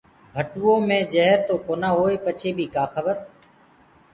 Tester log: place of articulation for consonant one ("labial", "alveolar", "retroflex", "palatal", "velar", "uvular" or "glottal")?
labial